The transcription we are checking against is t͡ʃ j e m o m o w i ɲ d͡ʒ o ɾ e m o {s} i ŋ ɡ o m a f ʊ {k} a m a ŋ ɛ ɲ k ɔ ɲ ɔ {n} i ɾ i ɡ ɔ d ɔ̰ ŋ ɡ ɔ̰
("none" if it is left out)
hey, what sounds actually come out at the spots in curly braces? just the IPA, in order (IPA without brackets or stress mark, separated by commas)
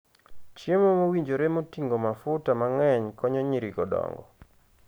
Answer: t, t, ɲ